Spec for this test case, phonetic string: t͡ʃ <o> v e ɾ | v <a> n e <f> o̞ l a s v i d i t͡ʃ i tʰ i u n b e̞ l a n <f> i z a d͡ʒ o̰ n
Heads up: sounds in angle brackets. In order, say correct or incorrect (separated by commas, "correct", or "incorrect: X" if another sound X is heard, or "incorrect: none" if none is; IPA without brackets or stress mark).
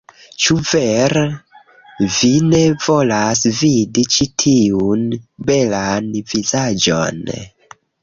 incorrect: u, incorrect: i, incorrect: v, incorrect: v